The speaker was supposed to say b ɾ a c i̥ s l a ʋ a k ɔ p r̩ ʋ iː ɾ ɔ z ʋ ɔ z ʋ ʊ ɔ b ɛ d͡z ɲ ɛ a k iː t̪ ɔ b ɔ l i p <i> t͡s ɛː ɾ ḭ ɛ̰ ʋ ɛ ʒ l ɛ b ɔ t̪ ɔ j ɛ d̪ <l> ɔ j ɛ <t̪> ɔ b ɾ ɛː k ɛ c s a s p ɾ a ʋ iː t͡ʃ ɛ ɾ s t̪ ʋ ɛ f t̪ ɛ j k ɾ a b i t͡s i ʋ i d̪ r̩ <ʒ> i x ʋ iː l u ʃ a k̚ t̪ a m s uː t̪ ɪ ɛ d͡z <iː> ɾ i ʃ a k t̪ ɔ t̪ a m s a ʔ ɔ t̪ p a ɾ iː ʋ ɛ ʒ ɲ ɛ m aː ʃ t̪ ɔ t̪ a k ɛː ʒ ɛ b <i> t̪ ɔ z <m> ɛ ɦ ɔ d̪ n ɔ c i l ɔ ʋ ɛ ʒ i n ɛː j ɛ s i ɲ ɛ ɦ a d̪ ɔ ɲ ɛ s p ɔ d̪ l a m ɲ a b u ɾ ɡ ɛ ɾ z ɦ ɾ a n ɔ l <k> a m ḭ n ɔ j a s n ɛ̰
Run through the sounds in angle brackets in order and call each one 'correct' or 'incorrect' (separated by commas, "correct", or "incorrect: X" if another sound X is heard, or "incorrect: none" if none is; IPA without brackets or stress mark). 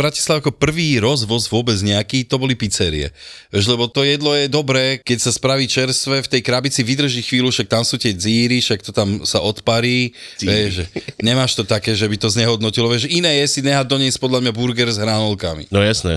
correct, correct, incorrect: d̪, correct, correct, correct, incorrect: ɲ, correct